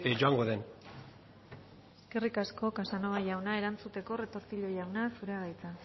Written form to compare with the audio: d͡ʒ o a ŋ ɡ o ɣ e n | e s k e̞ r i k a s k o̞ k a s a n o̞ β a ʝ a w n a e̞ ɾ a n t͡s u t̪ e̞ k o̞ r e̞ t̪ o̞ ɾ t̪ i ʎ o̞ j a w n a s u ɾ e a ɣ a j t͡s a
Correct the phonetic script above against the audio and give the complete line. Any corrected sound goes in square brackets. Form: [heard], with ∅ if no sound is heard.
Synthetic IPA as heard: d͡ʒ o a ŋ ɡ o [ð] e n | e s k e̞ r i k a s k o̞ k a s a n o̞ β a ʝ a w n a e̞ ɾ a n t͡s u t̪ e̞ k o̞ r e̞ t̪ o̞ ɾ t̪ i ʎ o̞ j a w n a s u ɾ e a ɣ a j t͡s a